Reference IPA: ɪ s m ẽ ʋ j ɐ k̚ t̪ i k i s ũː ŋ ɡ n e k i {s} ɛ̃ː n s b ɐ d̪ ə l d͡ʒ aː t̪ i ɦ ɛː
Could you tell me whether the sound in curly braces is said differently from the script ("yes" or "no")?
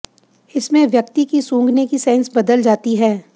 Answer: no